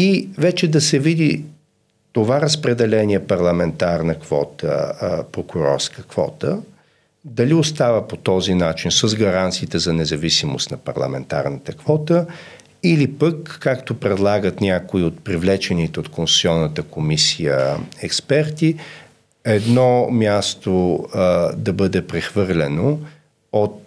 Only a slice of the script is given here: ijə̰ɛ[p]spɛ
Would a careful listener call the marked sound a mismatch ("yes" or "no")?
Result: yes